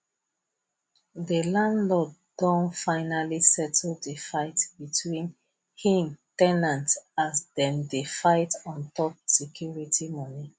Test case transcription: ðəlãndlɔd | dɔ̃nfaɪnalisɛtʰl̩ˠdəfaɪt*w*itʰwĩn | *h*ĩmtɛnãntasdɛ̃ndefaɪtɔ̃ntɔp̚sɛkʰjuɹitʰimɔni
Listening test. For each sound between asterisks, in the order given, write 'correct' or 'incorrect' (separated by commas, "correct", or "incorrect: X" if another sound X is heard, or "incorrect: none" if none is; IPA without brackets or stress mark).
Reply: incorrect: b, correct